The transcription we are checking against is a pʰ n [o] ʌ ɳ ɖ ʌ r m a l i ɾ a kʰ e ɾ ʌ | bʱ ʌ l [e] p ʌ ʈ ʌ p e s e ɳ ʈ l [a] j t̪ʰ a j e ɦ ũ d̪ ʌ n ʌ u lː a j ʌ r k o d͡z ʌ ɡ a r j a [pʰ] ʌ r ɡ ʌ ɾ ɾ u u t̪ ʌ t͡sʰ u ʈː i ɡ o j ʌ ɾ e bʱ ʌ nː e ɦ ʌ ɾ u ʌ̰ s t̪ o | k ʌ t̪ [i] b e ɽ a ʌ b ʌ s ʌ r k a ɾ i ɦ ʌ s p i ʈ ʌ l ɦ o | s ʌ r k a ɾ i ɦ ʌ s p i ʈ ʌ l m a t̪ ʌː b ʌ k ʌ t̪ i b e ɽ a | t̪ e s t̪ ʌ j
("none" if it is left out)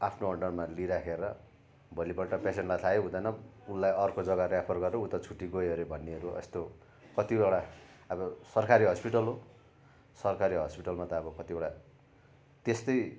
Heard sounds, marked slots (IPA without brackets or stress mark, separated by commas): o, i, a, pʰ, i